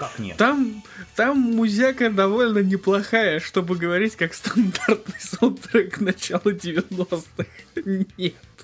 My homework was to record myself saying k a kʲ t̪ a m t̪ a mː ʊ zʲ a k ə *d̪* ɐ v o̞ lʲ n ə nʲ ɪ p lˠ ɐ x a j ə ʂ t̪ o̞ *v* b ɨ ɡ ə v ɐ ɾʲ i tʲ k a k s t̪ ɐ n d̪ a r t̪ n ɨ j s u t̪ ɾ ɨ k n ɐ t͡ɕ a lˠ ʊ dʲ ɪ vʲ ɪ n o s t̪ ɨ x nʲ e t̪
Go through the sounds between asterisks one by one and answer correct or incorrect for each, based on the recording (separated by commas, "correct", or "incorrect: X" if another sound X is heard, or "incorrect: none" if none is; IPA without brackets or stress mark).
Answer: correct, incorrect: none